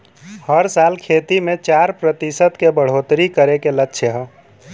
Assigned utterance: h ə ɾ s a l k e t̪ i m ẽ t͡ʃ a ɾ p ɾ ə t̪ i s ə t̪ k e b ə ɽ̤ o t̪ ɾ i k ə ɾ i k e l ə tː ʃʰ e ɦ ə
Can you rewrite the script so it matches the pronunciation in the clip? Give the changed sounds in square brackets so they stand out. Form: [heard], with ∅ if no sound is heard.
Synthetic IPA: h ə ɾ s a l [kʰ] e t̪ i m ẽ t͡ʃ a ɾ p ɾ ə t̪ i s ə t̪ k e b ə ɽ̤ o t̪ ɾ i k ə ɾ [e] k e l ə tː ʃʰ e ɦ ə